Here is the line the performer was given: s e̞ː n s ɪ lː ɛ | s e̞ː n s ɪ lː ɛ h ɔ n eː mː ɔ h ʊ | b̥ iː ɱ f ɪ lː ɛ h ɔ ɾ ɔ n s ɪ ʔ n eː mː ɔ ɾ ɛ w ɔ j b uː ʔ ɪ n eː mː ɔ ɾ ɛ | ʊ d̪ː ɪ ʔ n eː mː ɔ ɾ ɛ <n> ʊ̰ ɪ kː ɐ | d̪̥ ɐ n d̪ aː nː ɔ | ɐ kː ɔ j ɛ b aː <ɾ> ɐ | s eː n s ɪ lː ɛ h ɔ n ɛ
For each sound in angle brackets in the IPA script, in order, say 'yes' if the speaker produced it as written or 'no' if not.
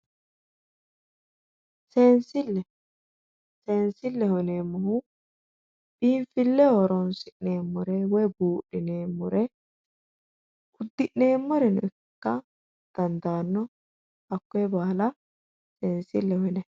yes, no

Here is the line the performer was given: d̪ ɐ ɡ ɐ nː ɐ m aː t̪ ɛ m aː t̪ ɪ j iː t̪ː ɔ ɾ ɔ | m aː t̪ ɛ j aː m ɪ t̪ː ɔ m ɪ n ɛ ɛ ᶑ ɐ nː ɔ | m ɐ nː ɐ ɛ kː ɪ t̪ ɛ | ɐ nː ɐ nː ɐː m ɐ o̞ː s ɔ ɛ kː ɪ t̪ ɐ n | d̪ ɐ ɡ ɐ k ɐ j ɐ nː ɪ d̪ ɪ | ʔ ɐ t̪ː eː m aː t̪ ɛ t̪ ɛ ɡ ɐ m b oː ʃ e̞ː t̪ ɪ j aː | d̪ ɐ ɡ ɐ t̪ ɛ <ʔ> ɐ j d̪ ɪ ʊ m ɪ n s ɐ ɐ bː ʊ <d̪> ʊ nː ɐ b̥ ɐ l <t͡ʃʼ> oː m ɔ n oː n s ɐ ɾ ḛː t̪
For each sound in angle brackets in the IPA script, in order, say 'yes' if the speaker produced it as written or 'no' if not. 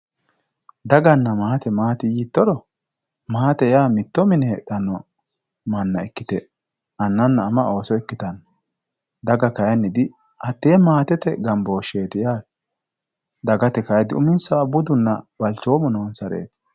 no, yes, no

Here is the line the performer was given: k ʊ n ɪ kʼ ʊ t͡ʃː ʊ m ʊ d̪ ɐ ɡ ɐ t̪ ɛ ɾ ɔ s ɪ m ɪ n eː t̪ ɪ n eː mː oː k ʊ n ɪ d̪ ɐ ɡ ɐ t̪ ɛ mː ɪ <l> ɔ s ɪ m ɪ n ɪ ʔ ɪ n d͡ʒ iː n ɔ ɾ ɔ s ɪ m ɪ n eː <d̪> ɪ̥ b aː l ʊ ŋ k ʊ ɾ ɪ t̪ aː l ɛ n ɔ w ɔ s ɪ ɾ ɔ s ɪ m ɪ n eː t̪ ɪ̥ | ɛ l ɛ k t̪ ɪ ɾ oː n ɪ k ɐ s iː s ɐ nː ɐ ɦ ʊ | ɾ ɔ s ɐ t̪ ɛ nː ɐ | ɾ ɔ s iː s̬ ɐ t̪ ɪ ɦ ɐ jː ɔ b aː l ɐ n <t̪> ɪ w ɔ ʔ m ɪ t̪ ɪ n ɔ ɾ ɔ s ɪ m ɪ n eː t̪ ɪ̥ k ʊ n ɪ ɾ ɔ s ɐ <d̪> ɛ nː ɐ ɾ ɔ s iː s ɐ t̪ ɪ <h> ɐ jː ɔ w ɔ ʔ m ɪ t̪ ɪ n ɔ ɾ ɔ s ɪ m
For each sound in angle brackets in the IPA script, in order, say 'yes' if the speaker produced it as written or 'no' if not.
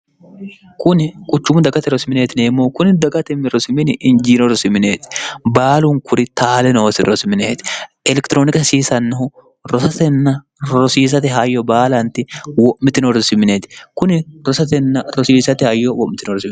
no, no, yes, no, yes

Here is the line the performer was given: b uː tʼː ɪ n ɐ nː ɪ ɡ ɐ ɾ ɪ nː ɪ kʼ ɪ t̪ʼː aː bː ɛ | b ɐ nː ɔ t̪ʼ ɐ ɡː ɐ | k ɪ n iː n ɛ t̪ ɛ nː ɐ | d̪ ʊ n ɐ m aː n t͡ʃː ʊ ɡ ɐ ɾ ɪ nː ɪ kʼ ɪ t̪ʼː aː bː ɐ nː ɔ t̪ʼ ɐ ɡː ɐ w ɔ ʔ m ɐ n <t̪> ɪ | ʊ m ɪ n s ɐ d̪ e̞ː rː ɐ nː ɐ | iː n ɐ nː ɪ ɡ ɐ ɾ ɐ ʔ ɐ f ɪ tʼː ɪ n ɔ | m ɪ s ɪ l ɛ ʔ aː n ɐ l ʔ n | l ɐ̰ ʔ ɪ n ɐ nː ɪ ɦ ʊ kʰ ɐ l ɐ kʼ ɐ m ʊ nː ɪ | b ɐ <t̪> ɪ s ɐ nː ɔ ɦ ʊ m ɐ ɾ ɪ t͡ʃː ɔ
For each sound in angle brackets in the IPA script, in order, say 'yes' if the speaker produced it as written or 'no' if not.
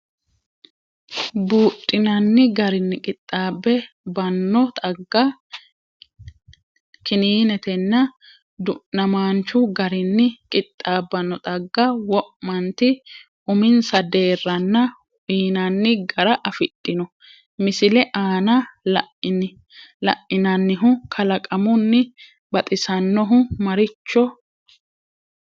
yes, no

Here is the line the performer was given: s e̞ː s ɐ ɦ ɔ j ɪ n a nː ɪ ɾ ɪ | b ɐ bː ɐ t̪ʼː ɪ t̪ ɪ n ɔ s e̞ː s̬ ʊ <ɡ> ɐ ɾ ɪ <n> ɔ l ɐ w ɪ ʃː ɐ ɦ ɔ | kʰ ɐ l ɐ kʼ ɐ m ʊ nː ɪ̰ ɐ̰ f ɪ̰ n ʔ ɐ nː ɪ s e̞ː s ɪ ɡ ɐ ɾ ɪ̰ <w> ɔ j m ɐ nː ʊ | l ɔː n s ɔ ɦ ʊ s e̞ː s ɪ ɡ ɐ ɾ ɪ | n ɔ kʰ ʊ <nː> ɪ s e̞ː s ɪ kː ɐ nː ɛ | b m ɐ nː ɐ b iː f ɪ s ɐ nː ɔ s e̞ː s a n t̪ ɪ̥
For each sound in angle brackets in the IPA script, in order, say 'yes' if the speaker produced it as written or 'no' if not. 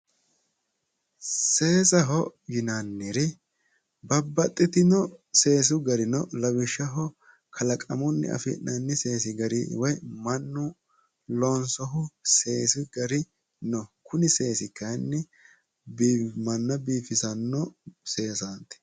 yes, yes, yes, no

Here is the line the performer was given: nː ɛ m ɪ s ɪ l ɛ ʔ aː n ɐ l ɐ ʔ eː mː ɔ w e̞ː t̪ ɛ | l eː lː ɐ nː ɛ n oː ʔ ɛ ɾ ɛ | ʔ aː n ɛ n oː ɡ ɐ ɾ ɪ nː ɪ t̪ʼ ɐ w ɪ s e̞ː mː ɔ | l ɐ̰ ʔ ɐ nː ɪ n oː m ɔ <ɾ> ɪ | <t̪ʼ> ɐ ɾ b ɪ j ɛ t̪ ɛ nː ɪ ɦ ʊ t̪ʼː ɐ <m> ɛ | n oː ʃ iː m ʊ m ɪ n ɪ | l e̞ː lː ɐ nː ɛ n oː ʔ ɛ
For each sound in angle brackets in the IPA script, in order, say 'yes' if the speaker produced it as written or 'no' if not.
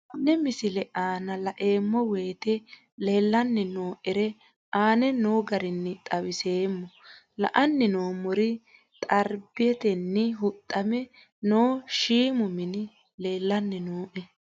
yes, yes, yes

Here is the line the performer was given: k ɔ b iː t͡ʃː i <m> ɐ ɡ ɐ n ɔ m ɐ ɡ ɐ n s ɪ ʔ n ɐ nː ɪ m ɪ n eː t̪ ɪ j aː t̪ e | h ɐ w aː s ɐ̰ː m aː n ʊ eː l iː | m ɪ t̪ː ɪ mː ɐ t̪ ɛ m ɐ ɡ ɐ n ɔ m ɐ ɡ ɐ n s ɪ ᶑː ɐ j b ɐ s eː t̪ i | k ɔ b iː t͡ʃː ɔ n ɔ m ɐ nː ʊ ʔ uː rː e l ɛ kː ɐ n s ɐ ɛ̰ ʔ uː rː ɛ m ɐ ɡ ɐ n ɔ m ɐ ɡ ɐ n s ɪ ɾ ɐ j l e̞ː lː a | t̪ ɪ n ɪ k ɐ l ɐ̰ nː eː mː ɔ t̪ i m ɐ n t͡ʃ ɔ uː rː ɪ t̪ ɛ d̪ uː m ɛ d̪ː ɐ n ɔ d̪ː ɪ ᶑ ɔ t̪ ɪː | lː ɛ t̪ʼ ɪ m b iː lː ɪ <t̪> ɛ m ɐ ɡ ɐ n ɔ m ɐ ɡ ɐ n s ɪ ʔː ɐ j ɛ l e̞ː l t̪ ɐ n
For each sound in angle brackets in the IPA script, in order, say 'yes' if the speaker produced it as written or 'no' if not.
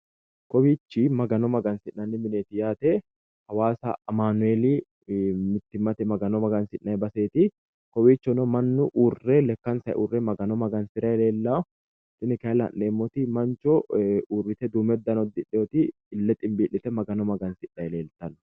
yes, yes

